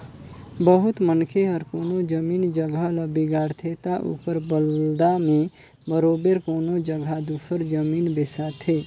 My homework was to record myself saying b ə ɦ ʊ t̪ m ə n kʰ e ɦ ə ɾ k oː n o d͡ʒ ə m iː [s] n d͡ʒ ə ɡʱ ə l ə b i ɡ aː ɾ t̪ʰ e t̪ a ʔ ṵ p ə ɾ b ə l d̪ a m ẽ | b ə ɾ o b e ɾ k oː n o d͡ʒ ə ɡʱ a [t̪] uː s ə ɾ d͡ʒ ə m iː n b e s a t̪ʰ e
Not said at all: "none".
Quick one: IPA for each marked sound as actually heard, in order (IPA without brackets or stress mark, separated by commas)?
none, d̪